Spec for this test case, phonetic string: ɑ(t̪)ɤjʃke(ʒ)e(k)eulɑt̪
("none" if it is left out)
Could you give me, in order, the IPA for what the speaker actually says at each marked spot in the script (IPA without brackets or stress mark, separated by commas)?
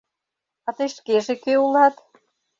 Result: t̪, ʒ, k